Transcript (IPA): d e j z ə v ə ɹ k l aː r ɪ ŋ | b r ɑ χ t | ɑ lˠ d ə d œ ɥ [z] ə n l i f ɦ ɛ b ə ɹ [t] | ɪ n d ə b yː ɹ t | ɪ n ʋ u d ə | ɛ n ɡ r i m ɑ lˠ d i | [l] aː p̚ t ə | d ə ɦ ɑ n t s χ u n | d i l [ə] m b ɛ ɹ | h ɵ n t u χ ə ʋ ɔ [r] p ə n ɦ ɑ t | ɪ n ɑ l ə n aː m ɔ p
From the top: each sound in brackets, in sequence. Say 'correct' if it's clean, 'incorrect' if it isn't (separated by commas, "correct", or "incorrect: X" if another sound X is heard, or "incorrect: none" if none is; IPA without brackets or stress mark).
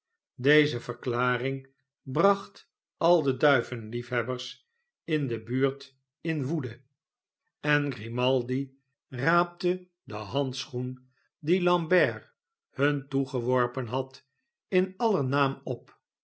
incorrect: v, incorrect: s, incorrect: r, incorrect: ɑ, incorrect: ɹ